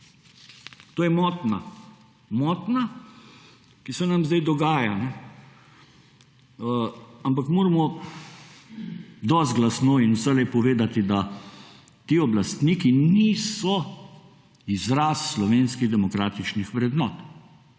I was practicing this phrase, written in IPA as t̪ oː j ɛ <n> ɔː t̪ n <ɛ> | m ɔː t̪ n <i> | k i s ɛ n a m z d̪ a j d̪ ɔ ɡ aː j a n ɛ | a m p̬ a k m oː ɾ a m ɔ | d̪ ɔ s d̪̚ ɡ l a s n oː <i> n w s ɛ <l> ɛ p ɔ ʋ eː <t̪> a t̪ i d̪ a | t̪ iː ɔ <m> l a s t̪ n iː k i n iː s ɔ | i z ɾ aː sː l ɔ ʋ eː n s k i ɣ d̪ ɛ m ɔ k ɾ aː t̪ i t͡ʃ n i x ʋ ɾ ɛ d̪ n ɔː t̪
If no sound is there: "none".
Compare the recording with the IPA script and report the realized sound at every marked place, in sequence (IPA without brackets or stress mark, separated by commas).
m, a, a, i, l, d̪, b